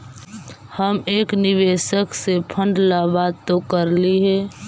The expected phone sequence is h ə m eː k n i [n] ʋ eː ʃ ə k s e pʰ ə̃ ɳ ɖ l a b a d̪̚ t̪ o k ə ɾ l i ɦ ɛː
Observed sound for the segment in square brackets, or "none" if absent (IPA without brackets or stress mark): none